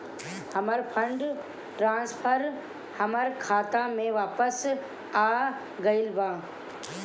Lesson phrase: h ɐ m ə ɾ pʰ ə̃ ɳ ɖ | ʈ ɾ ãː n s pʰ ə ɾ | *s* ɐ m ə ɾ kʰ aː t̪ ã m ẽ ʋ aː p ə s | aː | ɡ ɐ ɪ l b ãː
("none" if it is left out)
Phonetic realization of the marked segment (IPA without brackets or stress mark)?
h